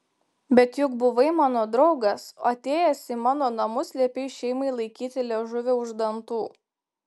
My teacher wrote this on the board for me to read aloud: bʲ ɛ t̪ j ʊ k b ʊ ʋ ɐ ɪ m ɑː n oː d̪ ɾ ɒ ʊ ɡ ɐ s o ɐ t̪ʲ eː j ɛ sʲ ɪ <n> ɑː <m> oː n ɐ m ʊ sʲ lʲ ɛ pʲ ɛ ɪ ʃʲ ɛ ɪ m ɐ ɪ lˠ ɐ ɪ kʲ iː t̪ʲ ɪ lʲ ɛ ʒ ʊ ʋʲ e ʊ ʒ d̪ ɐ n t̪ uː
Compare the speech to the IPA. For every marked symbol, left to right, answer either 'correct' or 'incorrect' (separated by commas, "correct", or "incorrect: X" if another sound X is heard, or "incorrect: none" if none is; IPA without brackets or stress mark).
incorrect: m, incorrect: n